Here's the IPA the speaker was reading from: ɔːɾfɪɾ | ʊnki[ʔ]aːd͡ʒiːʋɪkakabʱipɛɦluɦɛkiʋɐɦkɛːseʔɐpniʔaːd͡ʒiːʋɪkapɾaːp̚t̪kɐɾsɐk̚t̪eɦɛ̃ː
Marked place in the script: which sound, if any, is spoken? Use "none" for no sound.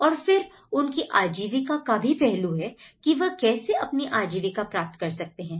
ʔ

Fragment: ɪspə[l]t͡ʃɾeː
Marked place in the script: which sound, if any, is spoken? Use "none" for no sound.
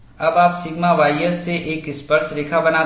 ɾ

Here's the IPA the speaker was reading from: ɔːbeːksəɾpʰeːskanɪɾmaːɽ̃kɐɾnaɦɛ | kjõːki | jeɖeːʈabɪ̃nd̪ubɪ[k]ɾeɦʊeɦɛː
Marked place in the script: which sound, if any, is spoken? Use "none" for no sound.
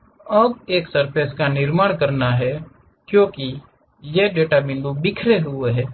kʰ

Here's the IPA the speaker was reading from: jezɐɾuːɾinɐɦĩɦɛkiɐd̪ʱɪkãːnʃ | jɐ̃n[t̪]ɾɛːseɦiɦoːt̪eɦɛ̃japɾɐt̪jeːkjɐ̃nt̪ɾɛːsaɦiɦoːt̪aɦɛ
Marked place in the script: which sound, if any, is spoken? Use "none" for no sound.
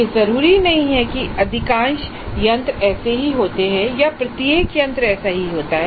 t̪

